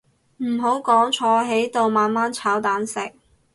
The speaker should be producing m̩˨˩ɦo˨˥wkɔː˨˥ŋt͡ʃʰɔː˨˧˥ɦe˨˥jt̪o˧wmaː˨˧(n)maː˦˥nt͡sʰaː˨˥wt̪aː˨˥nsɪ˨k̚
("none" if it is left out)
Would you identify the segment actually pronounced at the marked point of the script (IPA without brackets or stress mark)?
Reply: n